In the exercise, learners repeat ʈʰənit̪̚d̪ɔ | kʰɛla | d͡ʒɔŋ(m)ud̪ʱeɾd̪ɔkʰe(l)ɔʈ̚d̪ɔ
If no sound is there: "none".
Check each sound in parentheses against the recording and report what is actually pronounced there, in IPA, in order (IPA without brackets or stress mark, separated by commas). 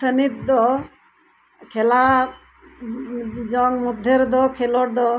m, l